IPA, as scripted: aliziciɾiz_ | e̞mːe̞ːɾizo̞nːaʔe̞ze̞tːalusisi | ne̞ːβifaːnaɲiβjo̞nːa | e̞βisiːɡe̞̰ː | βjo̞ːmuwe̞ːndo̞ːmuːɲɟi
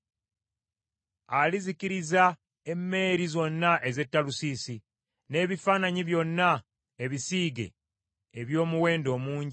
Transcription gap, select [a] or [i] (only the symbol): a